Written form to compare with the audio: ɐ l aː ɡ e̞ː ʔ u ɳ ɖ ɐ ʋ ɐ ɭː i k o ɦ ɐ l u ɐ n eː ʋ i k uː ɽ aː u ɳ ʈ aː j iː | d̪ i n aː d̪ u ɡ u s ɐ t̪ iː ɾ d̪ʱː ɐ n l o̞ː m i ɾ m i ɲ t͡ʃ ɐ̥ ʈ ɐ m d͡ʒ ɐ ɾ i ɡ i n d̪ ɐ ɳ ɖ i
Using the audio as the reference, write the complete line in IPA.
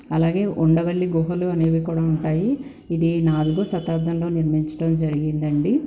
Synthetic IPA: ɐ l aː ɡ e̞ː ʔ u ɳ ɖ ɐ ʋ ɐ ɭː i ɡ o ɦ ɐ l u ɐ n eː ʋ i k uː ɽ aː u ɳ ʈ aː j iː | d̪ i n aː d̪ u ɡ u s ɐ t̪ aː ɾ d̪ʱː ɐ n l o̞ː n i ɾ m i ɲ t͡ʃ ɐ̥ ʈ ɐ m d͡ʒ ɐ ɾ i ɡ i n d̪ ɐ ɳ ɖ i

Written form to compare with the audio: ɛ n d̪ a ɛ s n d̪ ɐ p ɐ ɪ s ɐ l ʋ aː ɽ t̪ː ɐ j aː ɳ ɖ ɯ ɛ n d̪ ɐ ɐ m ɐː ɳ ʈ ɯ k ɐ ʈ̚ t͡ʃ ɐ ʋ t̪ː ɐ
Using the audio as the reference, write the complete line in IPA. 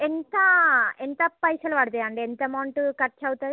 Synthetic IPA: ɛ n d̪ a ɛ n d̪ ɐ p ɐ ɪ s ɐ l ʋ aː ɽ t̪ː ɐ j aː ɳ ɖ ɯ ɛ n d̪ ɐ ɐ m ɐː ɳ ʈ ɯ k ɐ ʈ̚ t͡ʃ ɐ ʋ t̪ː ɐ

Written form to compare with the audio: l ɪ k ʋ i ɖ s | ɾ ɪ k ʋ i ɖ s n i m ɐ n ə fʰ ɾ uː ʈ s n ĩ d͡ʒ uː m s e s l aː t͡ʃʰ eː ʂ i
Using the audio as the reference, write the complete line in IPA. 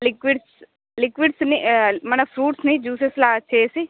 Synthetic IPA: l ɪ k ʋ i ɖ s | l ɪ k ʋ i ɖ s n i m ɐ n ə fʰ ɾ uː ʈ s n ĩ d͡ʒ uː s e s l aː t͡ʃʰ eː s i

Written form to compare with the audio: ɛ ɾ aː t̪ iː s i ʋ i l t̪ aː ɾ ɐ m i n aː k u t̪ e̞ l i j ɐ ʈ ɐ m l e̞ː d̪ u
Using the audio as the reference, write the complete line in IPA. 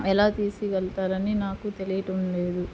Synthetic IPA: ɛ l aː t̪ iː s i ʋ ɛ l t̪ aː ɾ ɐ n i n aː k u t̪ e̞ l i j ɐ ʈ ɐ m l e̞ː d̪ u

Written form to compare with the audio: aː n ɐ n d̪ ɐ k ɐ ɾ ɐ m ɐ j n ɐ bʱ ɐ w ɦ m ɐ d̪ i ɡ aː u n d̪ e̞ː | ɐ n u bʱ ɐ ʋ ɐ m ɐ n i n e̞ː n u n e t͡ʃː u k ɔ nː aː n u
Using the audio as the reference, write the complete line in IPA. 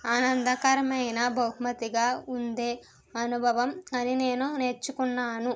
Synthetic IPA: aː n ɐ n d̪ ɐ k ɐ ɾ ɐ m ɐ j n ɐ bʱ ɐ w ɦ m ɐ t̪ i ɡ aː u n d̪ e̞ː | ɐ n u bʱ ɐ ʋ ɐ m ɐ n i n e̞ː n u n e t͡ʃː u k u nː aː n u

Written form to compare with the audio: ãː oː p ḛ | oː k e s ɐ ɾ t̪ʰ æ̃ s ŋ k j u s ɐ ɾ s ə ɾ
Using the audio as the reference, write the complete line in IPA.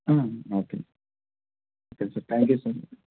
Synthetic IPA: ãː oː k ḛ | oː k e s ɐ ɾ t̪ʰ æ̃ ŋ k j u s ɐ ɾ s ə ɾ

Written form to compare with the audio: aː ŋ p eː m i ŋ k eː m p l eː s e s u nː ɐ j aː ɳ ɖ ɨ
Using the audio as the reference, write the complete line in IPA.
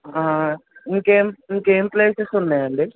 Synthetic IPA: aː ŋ k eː m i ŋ k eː m p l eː s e s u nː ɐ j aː ɳ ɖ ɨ

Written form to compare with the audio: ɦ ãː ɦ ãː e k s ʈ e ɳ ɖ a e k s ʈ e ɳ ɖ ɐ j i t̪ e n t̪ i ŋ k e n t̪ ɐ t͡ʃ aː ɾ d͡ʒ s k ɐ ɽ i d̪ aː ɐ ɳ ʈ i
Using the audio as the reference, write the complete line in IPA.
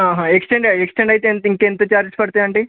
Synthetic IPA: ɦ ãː ɦ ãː e k s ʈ e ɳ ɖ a e k s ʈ e ɳ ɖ ɐ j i t̪ e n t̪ i ŋ k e n t̪ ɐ t͡ʃ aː ɾ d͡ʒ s p ɐ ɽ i t̪ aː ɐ ɳ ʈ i

